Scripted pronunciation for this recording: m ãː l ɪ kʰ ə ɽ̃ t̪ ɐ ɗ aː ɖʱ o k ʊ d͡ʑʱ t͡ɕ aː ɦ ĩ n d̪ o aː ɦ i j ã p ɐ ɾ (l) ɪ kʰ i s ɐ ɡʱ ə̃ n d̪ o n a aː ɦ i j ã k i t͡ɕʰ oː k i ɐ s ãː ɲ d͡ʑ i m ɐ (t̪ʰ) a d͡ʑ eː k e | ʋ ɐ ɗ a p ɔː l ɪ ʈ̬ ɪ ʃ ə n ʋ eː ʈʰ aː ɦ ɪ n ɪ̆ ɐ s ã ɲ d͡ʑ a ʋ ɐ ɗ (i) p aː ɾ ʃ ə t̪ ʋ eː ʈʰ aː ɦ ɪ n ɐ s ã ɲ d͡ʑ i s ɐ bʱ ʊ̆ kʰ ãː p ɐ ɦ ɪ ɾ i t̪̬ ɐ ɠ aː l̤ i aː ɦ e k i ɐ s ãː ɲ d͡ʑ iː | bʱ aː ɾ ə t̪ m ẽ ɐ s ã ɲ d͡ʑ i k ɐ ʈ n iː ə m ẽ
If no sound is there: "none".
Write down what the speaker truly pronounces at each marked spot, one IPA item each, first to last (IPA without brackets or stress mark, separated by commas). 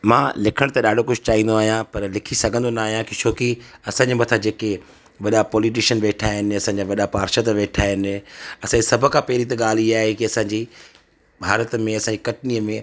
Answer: l, t̪ʰ, a